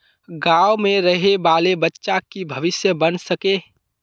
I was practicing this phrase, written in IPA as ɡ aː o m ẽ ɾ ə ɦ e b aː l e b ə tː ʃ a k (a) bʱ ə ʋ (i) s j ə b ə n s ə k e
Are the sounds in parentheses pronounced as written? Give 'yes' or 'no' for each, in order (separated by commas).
no, no